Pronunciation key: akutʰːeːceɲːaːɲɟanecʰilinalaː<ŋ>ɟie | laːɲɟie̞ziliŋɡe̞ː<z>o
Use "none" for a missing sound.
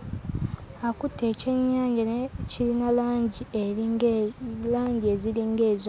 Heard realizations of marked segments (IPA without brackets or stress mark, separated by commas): ɲ, z